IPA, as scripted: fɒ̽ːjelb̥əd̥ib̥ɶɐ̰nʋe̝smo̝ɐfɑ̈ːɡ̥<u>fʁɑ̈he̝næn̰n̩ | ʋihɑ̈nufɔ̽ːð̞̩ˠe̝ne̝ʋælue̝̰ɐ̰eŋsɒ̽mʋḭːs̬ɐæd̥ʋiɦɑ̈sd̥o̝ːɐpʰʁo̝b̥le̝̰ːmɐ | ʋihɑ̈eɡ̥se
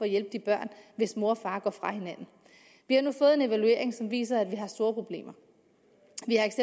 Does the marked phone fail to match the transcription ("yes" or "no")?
yes